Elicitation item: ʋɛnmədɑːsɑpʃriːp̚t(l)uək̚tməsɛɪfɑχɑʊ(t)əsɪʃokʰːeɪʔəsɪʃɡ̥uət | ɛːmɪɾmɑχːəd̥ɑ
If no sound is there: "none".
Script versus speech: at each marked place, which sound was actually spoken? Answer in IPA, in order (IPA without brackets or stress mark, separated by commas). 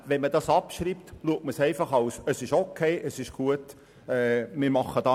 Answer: l, s